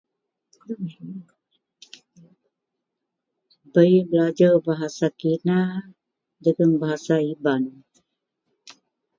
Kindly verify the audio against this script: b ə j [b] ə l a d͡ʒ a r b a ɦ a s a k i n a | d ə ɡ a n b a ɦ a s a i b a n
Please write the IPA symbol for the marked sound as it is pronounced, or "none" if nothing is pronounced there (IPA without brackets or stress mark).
b